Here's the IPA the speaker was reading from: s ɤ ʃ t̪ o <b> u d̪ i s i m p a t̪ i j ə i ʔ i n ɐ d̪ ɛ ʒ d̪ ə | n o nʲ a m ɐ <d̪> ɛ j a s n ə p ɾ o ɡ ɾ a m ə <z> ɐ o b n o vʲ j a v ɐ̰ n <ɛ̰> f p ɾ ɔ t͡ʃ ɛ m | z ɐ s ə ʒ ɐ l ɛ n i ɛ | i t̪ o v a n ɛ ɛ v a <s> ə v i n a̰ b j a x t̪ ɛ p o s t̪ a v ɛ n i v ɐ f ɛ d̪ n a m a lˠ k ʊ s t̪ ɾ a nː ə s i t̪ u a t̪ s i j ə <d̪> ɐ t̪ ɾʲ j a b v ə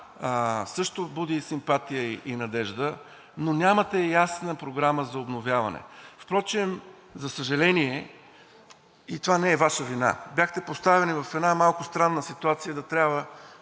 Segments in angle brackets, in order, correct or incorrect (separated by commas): correct, incorrect, correct, correct, incorrect, correct